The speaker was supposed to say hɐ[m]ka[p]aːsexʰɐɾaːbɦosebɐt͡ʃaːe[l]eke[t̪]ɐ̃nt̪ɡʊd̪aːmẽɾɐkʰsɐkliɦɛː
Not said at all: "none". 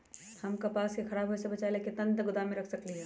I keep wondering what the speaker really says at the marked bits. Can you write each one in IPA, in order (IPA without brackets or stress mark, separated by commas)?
m, p, l, t̪